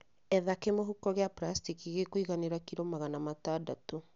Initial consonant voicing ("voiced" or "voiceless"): voiced